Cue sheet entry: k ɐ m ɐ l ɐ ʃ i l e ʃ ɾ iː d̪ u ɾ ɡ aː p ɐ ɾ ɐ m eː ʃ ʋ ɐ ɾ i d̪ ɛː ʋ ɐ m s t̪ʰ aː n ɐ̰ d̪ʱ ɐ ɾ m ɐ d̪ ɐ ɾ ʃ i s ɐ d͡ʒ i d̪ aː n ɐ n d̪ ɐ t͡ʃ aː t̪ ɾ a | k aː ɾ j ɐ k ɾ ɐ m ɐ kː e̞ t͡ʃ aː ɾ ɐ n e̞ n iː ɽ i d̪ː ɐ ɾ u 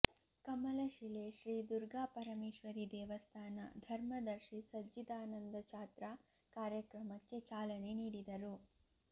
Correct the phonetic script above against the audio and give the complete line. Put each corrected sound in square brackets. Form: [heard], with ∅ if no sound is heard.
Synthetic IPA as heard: k ɐ m ɐ l ɐ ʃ i l e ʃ ɾ iː d̪ u ɾ ɡ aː p ɐ ɾ ɐ m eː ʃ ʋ ɐ ɾ i d̪ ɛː ʋ ɐ [∅] s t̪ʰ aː n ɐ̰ d̪ʱ ɐ ɾ m ɐ d̪ ɐ ɾ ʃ i s ɐ d͡ʒ i d̪ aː n ɐ n d̪ ɐ t͡ʃ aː t̪ ɾ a | k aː ɾ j ɐ k ɾ ɐ m ɐ kː e̞ t͡ʃ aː [l] ɐ n e̞ n iː ɽ i [d̪] ɐ ɾ u

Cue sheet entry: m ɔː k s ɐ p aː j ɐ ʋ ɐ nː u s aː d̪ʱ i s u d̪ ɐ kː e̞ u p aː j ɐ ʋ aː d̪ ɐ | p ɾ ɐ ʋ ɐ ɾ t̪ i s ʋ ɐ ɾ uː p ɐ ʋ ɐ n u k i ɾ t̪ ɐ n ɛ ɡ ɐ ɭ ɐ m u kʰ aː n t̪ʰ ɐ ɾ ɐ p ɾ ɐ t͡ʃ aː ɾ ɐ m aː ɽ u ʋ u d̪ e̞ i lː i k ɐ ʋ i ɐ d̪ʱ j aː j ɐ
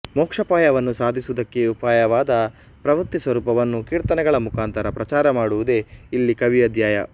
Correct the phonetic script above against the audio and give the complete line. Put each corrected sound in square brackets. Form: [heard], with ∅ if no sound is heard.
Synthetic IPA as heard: m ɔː k [ʂ] ɐ p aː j ɐ ʋ ɐ nː u s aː d̪ʱ i s u d̪ ɐ kː e̞ u p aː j ɐ ʋ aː d̪ ɐ | p ɾ ɐ ʋ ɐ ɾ t̪ i s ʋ ɐ ɾ uː p ɐ ʋ ɐ [nː] u k [iː] ɾ t̪ ɐ n ɛ ɡ ɐ ɭ ɐ m u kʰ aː n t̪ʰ ɐ ɾ ɐ p ɾ ɐ t͡ʃ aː ɾ ɐ m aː ɽ u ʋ u d̪ e̞ i lː i k ɐ ʋ i ɐ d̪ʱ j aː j ɐ

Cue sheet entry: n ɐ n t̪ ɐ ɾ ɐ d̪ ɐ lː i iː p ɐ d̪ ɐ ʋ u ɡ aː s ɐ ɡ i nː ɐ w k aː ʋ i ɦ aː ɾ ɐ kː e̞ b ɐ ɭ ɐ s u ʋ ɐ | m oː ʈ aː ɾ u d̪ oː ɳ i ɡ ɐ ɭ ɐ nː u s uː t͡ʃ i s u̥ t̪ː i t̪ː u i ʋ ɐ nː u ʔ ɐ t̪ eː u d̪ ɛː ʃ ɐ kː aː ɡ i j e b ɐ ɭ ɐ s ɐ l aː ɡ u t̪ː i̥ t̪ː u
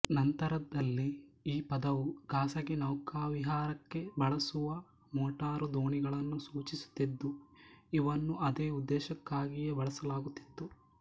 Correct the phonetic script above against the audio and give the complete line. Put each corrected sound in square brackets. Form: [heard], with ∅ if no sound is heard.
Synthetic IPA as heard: n ɐ n t̪ ɐ ɾ ɐ d̪ ɐ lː i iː p ɐ d̪ ɐ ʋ u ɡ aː s ɐ ɡ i [n] ɐ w k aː ʋ i ɦ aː ɾ ɐ kː e̞ b ɐ ɭ ɐ s u ʋ ɐ | m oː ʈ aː ɾ u d̪ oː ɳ i ɡ ɐ ɭ ɐ nː u s uː t͡ʃ i s u̥ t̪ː i [d̪ː] u i ʋ ɐ nː u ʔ ɐ [d̪] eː u [d̪ː] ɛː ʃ ɐ kː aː ɡ i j e b ɐ ɭ ɐ s ɐ l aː ɡ u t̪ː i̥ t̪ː u

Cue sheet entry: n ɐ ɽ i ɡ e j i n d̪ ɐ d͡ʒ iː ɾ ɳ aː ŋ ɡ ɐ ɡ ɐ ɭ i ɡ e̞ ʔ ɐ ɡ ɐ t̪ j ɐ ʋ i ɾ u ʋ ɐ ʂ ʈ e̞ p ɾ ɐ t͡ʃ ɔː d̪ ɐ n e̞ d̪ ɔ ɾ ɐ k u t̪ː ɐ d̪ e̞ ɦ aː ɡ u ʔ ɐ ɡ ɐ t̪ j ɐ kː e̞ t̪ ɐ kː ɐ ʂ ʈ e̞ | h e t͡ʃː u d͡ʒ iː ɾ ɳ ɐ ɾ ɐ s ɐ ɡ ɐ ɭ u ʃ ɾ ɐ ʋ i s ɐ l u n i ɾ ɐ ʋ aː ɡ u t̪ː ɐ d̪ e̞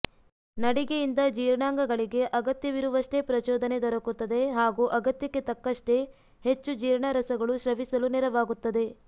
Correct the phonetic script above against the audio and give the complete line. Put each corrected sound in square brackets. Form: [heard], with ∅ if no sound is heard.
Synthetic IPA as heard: n ɐ ɽ i ɡ e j i n d̪ ɐ d͡ʒ iː ɾ ɳ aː ŋ ɡ ɐ ɡ ɐ ɭ i ɡ e̞ ʔ ɐ ɡ ɐ t̪ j ɐ ʋ i ɾ u ʋ ɐ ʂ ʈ e̞ p ɾ ɐ t͡ʃ ɔː d̪ ɐ n e̞ d̪ ɔ ɾ ɐ k u t̪ː ɐ d̪ e̞ ɦ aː ɡ u ʔ ɐ ɡ ɐ t̪ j ɐ kː e̞ t̪ ɐ kː ɐ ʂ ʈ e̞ | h e t͡ʃː u d͡ʒ iː ɾ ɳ ɐ ɾ ɐ s ɐ ɡ ɐ ɭ u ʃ ɾ ɐ ʋ i s ɐ l u n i ɾ ɐ ʋ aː ɡ u t̪ː ɐ d̪ e̞

